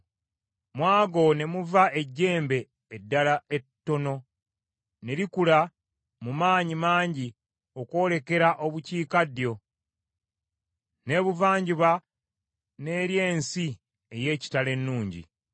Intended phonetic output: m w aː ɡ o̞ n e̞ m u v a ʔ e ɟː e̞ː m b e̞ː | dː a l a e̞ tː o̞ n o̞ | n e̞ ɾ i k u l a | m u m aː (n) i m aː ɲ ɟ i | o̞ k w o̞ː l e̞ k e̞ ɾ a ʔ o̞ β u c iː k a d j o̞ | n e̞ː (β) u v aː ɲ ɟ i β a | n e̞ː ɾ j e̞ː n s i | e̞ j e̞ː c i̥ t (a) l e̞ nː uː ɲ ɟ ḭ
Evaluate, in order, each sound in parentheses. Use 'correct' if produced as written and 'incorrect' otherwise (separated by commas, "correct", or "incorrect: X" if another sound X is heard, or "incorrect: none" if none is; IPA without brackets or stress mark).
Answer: incorrect: ɲ, correct, correct